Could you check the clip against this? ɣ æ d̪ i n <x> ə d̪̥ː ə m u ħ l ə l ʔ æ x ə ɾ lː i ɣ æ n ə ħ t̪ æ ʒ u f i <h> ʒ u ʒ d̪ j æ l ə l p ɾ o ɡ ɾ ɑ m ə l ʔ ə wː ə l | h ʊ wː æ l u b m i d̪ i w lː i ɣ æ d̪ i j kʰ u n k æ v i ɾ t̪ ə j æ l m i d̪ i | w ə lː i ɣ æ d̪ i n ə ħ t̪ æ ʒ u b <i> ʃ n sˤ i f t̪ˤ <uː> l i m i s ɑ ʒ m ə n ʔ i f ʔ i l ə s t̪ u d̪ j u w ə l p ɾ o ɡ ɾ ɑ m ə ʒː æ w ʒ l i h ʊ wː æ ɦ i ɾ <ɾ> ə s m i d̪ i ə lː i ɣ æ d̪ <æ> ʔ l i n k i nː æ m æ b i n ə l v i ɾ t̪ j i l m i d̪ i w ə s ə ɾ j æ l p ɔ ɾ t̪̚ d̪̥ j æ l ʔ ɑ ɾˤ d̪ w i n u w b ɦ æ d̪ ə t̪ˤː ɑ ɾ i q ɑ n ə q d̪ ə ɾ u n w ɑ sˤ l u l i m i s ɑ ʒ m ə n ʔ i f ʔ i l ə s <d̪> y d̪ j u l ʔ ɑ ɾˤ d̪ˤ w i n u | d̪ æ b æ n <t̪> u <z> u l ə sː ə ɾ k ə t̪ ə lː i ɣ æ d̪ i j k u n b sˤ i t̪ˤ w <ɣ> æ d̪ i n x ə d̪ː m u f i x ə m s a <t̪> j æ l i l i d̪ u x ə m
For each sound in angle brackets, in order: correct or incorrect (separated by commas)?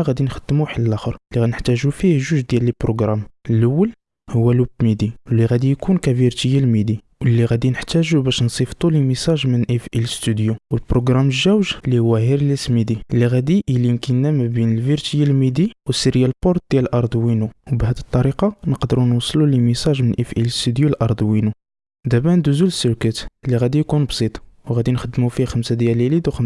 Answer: correct, correct, incorrect, incorrect, incorrect, incorrect, incorrect, incorrect, correct, correct, incorrect